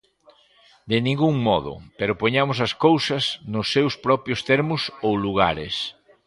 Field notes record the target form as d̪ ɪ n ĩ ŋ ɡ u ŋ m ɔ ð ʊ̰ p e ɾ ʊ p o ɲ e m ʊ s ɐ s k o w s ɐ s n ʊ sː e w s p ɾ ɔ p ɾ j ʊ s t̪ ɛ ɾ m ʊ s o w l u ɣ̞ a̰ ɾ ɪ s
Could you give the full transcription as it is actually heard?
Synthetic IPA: d̪ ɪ n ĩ ŋ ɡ u ŋ m ɔ ð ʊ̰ p e ɾ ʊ p o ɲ a m ʊ s ɐ s k o w s ɐ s n ʊ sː e w s p ɾ ɔ p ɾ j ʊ s t̪ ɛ ɾ m ʊ s o w l u ɣ̞ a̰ ɾ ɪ s